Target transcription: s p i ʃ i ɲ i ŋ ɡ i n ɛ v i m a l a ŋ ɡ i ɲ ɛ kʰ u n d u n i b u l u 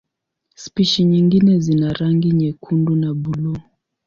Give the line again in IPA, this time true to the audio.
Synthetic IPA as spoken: s p i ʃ i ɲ i ŋ ɡ i n ɛ z i n a ɾ a ŋ ɡ i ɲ ɛ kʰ u n d u n a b u l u